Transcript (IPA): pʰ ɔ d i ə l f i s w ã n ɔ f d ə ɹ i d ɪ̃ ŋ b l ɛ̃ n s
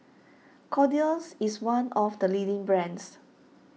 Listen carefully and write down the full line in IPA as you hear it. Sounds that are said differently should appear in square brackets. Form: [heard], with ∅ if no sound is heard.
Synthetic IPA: [kʰ] ɔ d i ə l [s] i s w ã n ɔ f d ə [l] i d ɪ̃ ŋ b [ɹ] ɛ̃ n s